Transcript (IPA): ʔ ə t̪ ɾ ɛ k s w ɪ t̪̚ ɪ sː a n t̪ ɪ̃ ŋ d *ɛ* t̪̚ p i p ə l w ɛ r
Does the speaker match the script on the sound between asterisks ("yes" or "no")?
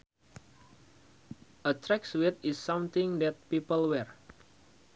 yes